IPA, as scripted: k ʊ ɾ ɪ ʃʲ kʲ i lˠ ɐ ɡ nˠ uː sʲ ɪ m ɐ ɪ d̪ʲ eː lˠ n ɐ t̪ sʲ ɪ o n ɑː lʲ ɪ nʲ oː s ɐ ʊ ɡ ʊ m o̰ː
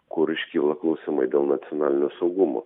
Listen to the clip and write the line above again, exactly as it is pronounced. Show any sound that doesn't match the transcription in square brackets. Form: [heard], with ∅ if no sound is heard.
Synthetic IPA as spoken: k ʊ ɾ ɪ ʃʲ kʲ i lˠ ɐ [k] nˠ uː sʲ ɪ m ɐ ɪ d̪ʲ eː lˠ n ɐ t̪ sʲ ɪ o n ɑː lʲ ɪ nʲ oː s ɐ ʊ ɡ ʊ m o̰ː

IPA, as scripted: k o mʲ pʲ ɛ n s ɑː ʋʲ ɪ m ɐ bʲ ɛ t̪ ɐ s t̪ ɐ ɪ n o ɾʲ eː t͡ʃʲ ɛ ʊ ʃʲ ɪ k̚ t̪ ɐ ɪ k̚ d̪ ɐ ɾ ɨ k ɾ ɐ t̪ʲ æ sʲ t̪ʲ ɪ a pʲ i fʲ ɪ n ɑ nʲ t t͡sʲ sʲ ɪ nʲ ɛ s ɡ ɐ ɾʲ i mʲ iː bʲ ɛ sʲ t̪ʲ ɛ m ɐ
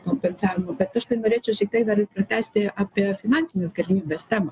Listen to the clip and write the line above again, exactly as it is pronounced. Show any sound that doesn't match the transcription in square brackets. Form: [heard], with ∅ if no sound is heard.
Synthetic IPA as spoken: k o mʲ pʲ ɛ n s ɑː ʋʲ ɪ m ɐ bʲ ɛ t̪ ɐ [ʃ] t̪ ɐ ɪ n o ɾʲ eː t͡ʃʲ ɛ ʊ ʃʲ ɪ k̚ t̪ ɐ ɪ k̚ d̪ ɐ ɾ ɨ [p] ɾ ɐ t̪ʲ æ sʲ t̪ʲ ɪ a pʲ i fʲ ɪ n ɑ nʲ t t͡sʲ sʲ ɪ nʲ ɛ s ɡ ɐ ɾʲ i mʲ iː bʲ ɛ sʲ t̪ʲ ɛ m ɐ

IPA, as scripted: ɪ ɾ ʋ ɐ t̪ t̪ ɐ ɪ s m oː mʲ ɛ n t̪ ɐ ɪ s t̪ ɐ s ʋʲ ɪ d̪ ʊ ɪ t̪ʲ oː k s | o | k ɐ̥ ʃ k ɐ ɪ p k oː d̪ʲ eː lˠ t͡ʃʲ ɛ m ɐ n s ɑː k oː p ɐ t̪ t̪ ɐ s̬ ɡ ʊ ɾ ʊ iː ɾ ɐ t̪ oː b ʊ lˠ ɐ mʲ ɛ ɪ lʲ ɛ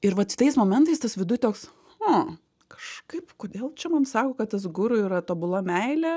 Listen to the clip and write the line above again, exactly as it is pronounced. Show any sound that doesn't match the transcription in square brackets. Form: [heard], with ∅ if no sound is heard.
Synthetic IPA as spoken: ɪ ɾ ʋ ɐ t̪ t̪ ɐ ɪ s m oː mʲ ɛ n t̪ ɐ ɪ s t̪ ɐ s ʋʲ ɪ d̪ ʊ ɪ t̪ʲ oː k s | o | k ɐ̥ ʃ k ɐ ɪ p k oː d̪ʲ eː lˠ t͡ʃʲ ɛ m ɐ n s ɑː k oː [k] ɐ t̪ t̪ ɐ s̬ ɡ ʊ ɾ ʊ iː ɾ ɐ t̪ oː b ʊ lˠ ɐ mʲ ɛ ɪ lʲ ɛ

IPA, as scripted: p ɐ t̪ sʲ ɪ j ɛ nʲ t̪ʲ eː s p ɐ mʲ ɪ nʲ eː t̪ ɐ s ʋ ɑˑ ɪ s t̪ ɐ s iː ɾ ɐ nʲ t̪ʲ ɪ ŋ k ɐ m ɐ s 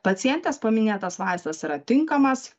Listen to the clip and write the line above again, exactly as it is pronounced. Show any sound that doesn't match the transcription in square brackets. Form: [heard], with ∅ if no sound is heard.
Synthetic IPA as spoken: p ɐ t̪ sʲ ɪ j ɛ nʲ t̪ʲ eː s p ɐ mʲ ɪ nʲ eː t̪ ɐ s ʋ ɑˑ ɪ s t̪ ɐ s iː ɾ ɐ [∅] t̪ʲ ɪ ŋ k ɐ m ɐ s

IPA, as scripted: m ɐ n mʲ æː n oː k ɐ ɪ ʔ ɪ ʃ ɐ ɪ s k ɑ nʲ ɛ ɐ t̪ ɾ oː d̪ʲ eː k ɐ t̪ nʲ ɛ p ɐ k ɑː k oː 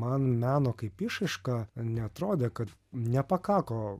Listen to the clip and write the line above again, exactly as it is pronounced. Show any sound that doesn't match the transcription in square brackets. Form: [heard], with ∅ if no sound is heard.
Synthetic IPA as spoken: m ɐ n mʲ æː n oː k ɐ ɪ [p] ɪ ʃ ɐ ɪ [ʃ] k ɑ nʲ ɛ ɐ t̪ ɾ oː d̪ʲ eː k ɐ t̪ nʲ ɛ p ɐ k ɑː k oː

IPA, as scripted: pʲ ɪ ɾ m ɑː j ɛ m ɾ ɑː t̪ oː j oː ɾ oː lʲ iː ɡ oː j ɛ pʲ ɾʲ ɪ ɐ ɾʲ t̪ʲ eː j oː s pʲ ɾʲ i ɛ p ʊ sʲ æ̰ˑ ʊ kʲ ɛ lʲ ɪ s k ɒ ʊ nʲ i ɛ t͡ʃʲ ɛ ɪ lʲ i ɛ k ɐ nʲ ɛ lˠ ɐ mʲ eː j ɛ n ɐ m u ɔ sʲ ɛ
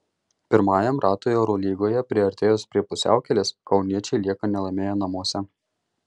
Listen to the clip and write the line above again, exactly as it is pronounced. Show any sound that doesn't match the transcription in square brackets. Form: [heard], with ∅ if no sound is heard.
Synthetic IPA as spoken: pʲ ɪ ɾ m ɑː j ɛ m ɾ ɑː t̪ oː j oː ɾ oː lʲ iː ɡ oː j ɛ pʲ ɾʲ ɪ ɐ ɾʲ t̪ʲ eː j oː s pʲ ɾʲ i ɛ p ʊ sʲ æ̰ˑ ʊ kʲ ɛ lʲ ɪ s k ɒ ʊ nʲ i ɛ t͡ʃʲ ɛ ɪ lʲ i ɛ k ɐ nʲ ɛ lˠ ɐ mʲ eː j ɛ n ɐ m u ɔ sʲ ɛ

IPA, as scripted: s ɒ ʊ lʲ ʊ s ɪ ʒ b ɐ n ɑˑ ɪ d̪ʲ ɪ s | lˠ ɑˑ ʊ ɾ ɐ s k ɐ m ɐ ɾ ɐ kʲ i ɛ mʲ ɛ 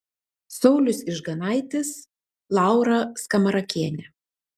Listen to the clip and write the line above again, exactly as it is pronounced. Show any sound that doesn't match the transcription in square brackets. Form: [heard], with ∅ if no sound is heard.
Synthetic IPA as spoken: s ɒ ʊ lʲ ʊ s ɪ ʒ [ɡ] ɐ n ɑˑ ɪ [t̪ʲ] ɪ s | lˠ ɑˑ ʊ ɾ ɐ s k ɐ m ɐ ɾ ɐ kʲ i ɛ [nʲ] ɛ

